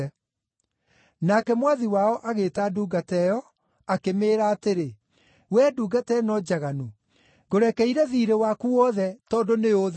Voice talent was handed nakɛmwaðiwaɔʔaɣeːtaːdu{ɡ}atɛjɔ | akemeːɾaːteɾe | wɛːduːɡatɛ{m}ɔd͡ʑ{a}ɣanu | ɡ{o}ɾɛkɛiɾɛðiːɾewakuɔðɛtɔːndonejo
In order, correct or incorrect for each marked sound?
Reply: correct, incorrect, correct, correct

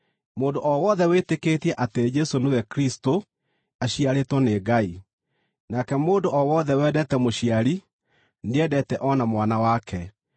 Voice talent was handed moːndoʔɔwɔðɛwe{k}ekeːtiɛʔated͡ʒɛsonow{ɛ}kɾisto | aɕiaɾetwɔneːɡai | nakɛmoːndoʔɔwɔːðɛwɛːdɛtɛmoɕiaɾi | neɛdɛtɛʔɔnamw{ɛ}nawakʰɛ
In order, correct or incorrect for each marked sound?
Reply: incorrect, correct, incorrect

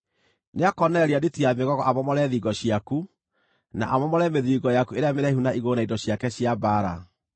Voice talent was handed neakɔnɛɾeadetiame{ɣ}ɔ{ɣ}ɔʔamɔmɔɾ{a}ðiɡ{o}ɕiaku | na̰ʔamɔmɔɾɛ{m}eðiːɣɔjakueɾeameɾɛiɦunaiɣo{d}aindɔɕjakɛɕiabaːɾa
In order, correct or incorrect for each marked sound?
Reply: correct, correct, incorrect, incorrect, correct, incorrect

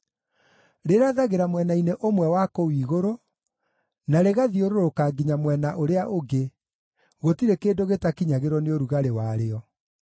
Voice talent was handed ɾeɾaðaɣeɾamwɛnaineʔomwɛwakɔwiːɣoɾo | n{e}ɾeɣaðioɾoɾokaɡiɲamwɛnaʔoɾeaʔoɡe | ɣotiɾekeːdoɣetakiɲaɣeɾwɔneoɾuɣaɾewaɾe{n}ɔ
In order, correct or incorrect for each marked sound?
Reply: incorrect, incorrect

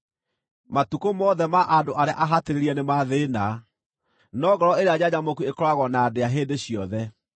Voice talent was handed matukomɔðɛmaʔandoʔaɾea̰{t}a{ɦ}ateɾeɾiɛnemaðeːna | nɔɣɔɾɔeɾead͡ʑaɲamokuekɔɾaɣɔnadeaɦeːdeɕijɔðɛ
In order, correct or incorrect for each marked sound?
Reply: incorrect, correct

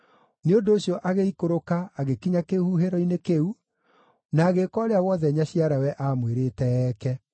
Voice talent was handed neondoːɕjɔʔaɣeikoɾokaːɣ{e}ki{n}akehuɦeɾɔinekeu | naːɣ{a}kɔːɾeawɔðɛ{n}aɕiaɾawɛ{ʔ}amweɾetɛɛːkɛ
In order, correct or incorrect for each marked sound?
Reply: correct, incorrect, incorrect, incorrect, correct

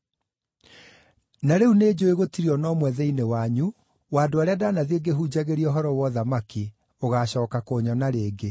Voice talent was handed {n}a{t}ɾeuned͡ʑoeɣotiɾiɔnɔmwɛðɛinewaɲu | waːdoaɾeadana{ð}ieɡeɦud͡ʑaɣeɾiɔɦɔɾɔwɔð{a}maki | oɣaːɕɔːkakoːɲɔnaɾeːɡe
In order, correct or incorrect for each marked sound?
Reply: correct, incorrect, correct, correct

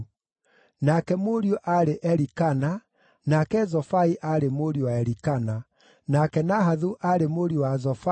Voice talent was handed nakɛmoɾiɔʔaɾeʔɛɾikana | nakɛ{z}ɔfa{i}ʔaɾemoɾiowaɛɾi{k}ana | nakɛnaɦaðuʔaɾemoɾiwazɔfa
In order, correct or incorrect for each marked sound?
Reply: correct, correct, correct

